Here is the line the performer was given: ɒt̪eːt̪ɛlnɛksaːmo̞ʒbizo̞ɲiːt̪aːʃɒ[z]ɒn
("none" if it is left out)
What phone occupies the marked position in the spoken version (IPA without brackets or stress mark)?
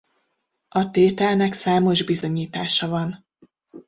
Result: v